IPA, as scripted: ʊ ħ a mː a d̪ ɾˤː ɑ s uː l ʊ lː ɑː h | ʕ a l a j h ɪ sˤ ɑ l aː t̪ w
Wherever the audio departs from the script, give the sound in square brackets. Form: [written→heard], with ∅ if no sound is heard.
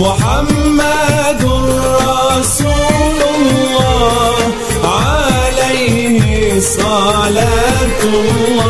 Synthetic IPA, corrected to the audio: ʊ ħ a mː a d̪ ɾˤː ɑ s uː l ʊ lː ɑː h | ʕ a l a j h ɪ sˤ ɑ l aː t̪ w